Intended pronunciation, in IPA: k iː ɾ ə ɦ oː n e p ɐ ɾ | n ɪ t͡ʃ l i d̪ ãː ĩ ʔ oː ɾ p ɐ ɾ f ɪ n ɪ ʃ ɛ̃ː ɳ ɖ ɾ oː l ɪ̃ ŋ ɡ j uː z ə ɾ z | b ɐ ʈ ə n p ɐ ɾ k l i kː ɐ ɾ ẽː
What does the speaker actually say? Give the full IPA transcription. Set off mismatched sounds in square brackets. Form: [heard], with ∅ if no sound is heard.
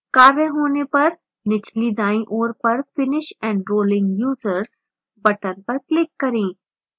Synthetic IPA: k [aː] ɾ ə ɦ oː n e p ɐ ɾ | n ɪ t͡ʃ l i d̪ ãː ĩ ʔ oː ɾ p ɐ ɾ f ɪ n ɪ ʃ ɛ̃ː ɳ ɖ ɾ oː l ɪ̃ ŋ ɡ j uː z ə ɾ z | b ɐ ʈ ə n p ɐ ɾ k l [ɪ] kː ɐ ɾ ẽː